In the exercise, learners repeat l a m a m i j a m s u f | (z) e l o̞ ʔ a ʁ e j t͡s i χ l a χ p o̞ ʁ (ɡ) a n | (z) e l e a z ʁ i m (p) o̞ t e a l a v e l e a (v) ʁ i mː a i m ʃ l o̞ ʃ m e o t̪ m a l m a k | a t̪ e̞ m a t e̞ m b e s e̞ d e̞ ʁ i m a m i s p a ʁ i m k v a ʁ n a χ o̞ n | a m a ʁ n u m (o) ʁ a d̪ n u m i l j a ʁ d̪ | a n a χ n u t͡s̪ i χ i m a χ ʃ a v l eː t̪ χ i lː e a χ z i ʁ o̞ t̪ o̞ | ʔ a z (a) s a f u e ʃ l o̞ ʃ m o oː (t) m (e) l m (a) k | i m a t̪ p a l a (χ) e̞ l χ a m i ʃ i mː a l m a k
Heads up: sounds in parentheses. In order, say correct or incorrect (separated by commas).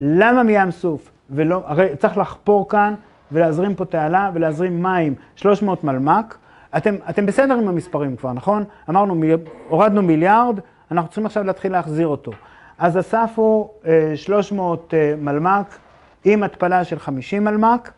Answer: incorrect, incorrect, incorrect, correct, incorrect, correct, correct, correct, incorrect, correct, incorrect